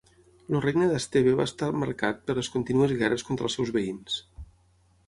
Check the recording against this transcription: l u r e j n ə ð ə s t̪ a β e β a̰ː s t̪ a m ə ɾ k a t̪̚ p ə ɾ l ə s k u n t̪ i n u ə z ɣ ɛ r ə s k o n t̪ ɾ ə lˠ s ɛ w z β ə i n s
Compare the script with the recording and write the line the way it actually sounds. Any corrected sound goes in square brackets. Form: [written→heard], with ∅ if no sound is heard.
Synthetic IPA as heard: l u r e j n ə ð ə s t̪ [a→e] β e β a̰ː s t̪ a m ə ɾ k a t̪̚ p ə ɾ l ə s k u n t̪ i n u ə z ɣ ɛ r ə s k o n t̪ ɾ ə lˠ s ɛ w z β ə i n s

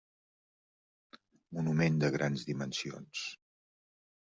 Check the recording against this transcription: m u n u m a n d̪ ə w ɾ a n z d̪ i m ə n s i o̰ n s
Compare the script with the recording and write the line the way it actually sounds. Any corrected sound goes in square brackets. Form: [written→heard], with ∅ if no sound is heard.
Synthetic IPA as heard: m u n u m [a→e] n d̪ ə [w→ɣ] ɾ a n z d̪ i m ə n s i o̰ n s

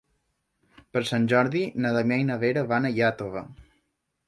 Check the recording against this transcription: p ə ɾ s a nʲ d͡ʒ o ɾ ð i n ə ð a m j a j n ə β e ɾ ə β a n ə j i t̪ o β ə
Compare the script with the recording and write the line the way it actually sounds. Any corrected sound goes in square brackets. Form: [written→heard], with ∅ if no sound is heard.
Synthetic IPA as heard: p ə ɾ s a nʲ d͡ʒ [o→ɔ] ɾ ð i n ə ð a m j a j n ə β e ɾ ə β a n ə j [i→a] t̪ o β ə

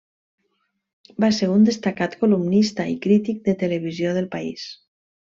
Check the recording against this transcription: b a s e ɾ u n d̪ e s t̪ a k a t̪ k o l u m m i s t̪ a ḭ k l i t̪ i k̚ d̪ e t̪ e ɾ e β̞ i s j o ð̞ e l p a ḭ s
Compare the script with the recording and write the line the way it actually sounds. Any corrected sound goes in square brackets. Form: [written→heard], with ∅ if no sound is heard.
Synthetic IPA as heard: b a s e ɾ u n d̪ e s t̪ a k a t̪ k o l u m [m→n] i s t̪ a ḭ k [l→ɾ] i t̪ i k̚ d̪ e t̪ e [ɾ→l] e β̞ i [s→z] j o ð̞ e l p a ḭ s

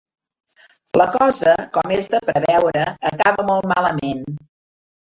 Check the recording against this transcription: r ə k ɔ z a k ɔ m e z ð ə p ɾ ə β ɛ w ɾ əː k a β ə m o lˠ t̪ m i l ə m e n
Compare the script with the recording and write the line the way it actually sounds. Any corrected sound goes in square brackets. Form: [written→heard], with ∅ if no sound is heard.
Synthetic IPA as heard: [r→l] ə k ɔ z [a→ə] k ɔ m e z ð ə p ɾ ə β ɛ w ɾ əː k a β ə m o lˠ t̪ m [i→a] l ə m e n

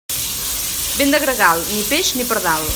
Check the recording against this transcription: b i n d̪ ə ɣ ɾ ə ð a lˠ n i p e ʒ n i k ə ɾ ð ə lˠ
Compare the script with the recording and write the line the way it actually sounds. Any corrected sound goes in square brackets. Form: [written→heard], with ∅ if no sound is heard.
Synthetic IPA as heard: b [i→e] n d̪ ə ɣ ɾ ə [ð→ɣ] a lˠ n i p e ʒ n i [k→p] ə ɾ ð [ə→a] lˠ

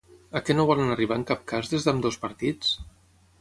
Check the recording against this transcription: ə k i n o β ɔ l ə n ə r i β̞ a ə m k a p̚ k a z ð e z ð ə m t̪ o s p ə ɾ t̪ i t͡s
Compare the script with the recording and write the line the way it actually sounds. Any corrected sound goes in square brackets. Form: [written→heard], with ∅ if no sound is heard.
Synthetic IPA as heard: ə k [i→ɛ] n o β ɔ l ə n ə r i β̞ a ə [m→ŋ] k a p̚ k a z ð e z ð ə m [t̪→d̪] o s p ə ɾ t̪ i t͡s

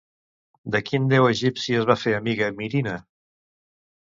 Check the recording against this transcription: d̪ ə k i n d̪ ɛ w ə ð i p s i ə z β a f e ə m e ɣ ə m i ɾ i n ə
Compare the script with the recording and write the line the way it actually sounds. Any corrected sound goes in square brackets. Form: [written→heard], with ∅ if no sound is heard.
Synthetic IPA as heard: d̪ ə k i n d̪ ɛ w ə [ð→ʒ] i p s i ə z β a f e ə m [e→i] ɣ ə m i ɾ i n ə

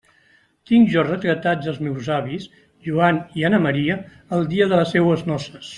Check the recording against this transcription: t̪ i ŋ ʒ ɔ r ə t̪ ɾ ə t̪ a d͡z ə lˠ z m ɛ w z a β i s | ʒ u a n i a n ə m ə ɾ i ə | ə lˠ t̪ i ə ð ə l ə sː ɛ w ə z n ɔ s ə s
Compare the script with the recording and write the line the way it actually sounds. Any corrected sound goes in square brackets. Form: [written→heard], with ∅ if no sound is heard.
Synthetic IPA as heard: t̪ i ŋ ʒ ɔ r ə t̪ ɾ ə t̪ a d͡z ə lˠ z m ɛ w z a β i s | ʒ u a n i a n ə m ə ɾ i ə | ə lˠ [t̪→d̪] i ə ð ə l ə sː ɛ w ə z n ɔ s ə s

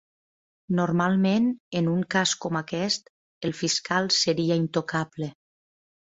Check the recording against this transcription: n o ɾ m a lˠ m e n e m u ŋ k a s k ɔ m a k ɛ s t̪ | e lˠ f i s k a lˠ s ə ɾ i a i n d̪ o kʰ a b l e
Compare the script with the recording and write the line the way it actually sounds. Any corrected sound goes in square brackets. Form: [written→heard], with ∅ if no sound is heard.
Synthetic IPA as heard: n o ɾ m a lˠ m e n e [m→n] u ŋ k a s k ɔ m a k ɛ s t̪ | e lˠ f i s k a lˠ s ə ɾ i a i n [d̪→t̪] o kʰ a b l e

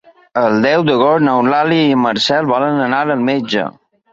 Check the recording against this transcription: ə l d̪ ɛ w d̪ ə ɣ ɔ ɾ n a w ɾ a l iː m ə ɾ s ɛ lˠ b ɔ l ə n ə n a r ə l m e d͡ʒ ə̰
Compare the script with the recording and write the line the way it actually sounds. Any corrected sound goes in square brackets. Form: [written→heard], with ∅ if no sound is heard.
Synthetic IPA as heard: ə l d̪ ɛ w d̪ ə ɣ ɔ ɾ n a w [ɾ→l] a l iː m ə ɾ s ɛ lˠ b ɔ l ə n ə n a [r→ɾ] ə l m e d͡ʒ ə̰

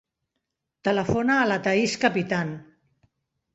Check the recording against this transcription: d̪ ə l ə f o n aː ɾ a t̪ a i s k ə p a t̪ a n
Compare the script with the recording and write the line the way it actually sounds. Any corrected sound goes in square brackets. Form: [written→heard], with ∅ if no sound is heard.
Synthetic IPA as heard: [d̪→t̪] ə l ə f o n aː [ɾ→l] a t̪ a i s k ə p [a→i] t̪ a n

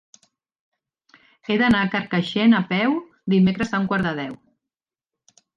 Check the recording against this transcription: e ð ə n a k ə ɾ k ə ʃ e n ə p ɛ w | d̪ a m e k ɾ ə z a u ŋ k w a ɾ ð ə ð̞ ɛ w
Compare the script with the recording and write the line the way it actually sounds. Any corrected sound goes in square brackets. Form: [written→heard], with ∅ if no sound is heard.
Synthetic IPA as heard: e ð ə n a k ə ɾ k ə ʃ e n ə p ɛ w | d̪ [a→i] m e k ɾ ə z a u ŋ k w a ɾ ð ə ð̞ ɛ w

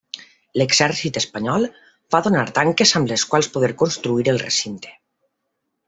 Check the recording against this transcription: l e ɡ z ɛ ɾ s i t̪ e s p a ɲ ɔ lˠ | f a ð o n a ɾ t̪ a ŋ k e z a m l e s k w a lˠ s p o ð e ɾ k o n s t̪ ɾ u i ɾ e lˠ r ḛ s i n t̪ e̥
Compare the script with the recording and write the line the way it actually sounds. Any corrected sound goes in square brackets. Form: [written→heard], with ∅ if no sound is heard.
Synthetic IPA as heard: l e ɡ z ɛ ɾ s i t̪ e s p a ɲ ɔ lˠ | f a ð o n a ɾ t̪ a ŋ k e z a m l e s k w a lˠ s p o ð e ɾ k o n s t̪ ɾ u i ɾ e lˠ r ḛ s i n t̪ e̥

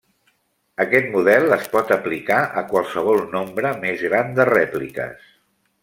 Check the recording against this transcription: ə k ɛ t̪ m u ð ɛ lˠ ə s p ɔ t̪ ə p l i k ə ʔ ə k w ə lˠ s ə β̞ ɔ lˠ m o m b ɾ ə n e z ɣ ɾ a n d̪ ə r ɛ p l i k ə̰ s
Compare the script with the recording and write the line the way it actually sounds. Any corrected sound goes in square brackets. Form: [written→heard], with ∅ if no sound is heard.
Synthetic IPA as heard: ə k ɛ t̪ m u ð ɛ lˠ ə s p ɔ t̪ ə p l i k [ə→a] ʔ ə k w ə lˠ s ə β̞ ɔ lˠ [m→n] o m b ɾ ə [n→m] e z ɣ ɾ a n d̪ ə r ɛ p l i k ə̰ s

